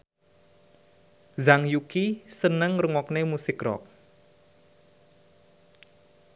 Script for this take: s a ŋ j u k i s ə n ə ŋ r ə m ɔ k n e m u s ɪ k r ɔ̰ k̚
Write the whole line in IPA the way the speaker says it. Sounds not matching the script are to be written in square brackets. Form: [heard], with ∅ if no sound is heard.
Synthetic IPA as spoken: [z] a ŋ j u k i s ə n ə ŋ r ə [ŋ] ɔ k n e m u s ɪ k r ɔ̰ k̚